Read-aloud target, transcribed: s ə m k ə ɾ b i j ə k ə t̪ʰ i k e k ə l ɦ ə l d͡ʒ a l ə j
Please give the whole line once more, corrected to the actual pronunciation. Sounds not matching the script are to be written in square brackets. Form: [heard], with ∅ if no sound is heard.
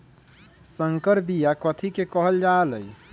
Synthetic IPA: s ə [ŋ] k ə ɾ b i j [a] k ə t̪ʰ i k e k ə [∅] ɦ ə l d͡ʒ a l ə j